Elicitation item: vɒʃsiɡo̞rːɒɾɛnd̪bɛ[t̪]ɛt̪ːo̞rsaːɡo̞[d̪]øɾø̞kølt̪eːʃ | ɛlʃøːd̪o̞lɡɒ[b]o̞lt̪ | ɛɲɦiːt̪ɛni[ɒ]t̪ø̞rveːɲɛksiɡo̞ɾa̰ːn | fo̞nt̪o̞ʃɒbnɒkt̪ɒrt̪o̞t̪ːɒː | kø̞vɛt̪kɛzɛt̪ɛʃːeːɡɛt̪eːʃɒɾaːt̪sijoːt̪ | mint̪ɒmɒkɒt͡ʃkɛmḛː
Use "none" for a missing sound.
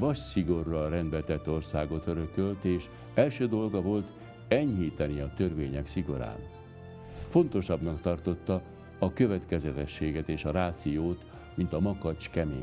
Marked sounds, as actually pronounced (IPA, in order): t̪, t̪, v, ɒ

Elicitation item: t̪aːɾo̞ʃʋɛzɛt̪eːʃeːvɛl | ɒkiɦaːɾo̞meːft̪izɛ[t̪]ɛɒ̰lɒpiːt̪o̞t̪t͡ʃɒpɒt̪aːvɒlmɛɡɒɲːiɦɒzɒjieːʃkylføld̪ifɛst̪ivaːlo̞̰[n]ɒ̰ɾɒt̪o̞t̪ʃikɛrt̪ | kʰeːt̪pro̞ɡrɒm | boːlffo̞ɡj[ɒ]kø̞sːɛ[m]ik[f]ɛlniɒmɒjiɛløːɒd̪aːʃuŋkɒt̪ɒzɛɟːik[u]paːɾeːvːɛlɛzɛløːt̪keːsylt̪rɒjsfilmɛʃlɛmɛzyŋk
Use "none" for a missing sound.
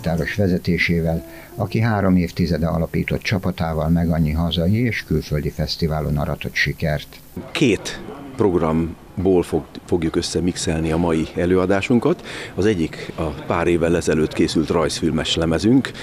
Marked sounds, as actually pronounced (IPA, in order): d̪, n, u, m, s, ɒ

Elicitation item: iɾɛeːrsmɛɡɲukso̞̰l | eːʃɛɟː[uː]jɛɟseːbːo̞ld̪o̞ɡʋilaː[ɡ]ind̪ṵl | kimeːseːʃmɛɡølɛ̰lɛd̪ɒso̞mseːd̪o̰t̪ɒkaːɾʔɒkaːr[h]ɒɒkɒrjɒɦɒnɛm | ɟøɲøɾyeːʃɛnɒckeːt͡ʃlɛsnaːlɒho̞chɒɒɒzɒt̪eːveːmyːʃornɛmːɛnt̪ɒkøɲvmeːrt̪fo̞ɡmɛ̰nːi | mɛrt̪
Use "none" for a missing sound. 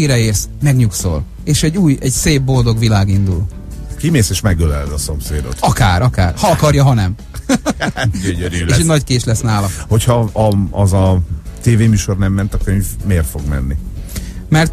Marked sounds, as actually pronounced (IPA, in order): uː, ɡ, h

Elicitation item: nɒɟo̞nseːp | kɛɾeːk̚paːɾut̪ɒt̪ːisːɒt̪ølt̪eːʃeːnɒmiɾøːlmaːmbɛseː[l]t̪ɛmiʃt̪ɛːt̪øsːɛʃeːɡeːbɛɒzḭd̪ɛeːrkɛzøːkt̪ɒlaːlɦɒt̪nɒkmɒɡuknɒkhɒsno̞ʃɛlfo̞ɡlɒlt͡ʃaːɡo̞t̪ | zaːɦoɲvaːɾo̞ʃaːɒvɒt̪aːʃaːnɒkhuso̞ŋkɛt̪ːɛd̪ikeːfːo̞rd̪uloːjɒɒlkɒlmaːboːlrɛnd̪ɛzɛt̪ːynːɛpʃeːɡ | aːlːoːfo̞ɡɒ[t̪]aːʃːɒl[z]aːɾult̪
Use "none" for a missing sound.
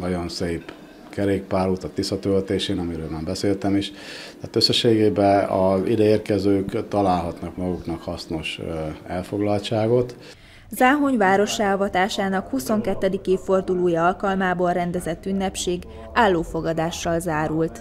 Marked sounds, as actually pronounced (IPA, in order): l, d̪, z

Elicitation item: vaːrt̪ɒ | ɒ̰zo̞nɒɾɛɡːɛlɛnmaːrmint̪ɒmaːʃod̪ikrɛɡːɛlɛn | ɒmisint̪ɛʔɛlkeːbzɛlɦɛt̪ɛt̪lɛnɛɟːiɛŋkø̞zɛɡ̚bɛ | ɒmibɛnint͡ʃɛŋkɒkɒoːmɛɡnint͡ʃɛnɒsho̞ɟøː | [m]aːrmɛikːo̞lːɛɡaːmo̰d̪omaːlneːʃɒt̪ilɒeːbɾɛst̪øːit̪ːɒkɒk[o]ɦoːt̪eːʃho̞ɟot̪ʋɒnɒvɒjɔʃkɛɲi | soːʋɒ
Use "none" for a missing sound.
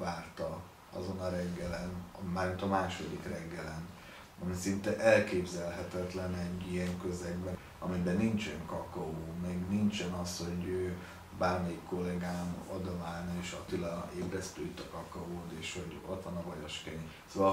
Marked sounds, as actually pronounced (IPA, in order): b, ɒ

